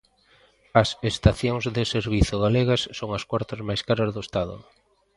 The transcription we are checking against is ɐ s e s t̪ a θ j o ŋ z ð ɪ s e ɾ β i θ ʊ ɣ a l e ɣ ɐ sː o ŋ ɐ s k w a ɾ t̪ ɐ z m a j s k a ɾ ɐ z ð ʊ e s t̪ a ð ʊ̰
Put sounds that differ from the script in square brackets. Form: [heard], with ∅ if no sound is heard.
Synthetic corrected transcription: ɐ s e s t̪ a θ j o ŋ z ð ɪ s e ɾ β i θ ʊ ɣ a l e ɣ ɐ sː o ŋ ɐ s k w a ɾ t̪ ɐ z m a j s k a ɾ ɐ z ð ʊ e s t̪ a ð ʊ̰